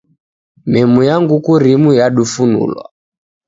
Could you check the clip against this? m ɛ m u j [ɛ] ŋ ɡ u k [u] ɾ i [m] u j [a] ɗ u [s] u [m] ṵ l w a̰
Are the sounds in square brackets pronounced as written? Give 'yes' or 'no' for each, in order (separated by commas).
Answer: no, yes, yes, yes, no, no